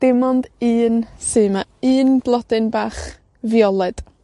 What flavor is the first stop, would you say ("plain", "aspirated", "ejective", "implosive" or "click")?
plain